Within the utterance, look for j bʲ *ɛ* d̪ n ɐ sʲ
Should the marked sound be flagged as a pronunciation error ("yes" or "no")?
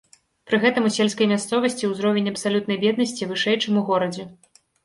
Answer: no